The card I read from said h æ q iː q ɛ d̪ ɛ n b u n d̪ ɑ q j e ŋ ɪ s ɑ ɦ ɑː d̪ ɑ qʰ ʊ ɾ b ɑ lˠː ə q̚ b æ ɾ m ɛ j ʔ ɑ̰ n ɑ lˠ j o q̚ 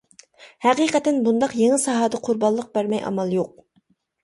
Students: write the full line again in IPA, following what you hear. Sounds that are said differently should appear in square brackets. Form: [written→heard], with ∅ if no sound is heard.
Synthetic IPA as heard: h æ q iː q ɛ [d̪→t̪] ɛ n b u n d̪ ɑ q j e ŋ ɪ s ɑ ɦ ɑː d̪ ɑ qʰ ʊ ɾ b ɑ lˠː ə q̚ b æ ɾ m ɛ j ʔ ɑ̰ [n→m] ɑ lˠ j o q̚